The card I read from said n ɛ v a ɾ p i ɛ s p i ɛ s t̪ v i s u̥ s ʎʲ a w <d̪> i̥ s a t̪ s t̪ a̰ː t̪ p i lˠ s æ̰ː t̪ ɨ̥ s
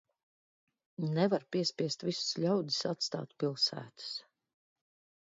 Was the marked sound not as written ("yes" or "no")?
no